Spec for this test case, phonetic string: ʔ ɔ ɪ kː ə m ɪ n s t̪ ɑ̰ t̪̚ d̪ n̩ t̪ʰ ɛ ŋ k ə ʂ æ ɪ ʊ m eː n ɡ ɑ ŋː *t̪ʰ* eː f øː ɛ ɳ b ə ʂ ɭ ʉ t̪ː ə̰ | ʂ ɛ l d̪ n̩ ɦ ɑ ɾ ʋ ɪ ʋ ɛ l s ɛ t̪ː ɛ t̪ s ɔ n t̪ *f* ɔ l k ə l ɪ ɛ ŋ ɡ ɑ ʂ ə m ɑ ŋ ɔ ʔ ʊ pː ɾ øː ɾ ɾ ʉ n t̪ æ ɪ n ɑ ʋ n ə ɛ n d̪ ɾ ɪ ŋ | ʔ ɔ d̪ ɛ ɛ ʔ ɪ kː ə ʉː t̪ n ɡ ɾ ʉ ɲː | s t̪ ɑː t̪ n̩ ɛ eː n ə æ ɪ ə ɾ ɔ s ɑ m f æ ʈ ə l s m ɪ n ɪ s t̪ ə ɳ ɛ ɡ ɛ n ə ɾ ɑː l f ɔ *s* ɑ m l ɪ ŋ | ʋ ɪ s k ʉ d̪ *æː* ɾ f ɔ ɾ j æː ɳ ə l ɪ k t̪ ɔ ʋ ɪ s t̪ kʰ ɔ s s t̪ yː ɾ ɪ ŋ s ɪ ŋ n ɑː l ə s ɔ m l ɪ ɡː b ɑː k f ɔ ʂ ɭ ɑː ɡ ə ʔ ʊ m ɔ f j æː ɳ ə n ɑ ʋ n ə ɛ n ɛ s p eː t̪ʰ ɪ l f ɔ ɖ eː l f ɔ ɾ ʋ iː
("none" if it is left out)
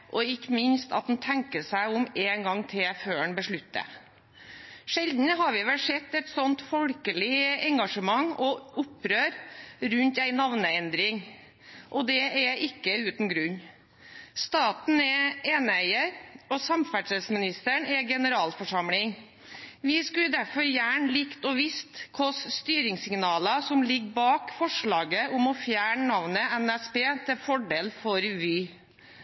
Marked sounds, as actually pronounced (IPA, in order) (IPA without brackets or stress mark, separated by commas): t̪ʰ, f, ʂ, æ